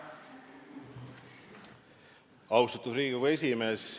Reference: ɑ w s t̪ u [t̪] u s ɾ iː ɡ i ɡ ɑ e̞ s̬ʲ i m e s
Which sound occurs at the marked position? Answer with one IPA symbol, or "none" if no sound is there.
t̪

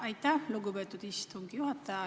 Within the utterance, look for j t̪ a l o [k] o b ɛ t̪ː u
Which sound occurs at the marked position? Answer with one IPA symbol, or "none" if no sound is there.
ɡ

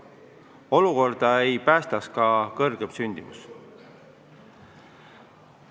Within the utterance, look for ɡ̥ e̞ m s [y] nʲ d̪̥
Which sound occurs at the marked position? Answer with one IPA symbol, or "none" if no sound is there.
y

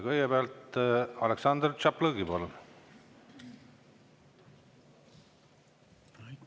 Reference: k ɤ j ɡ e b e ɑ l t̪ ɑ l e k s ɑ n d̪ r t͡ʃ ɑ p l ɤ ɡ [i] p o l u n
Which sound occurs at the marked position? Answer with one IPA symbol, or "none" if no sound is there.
i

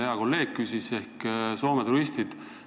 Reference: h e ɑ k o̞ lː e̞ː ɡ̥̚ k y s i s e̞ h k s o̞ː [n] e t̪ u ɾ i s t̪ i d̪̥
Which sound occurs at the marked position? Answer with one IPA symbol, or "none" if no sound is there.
m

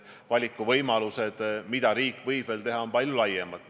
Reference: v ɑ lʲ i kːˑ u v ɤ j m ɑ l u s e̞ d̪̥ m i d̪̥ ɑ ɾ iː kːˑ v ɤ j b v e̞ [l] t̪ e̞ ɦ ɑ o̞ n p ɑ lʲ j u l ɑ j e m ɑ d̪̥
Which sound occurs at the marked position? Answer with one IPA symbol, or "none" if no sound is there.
l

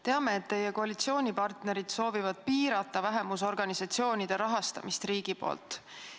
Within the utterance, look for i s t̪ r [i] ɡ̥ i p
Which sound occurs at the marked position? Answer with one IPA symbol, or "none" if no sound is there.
iː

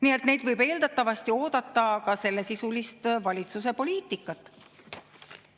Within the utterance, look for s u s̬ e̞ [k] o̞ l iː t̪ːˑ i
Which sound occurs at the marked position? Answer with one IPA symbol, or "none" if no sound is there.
p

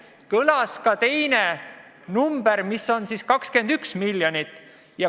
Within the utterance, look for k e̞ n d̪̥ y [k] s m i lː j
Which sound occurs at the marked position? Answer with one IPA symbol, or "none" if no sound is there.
k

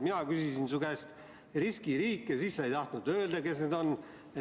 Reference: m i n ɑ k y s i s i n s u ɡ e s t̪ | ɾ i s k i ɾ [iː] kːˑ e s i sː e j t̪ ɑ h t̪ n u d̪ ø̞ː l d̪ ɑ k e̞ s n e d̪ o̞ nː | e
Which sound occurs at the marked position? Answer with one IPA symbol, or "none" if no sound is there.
iː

